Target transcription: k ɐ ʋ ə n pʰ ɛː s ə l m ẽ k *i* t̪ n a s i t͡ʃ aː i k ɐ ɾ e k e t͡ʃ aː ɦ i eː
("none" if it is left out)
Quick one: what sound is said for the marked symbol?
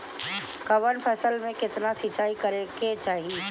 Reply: ɪ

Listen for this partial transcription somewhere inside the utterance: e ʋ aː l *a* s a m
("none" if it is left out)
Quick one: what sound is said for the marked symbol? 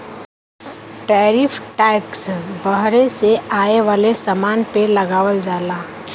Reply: e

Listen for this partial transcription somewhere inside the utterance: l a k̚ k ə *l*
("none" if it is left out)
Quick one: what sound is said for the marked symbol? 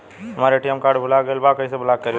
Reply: ɾ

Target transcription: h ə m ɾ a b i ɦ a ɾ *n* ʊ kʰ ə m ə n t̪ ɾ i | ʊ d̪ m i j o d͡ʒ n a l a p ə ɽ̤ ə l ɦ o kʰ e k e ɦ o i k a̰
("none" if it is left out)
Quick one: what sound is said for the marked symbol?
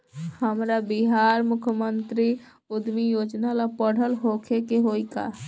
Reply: m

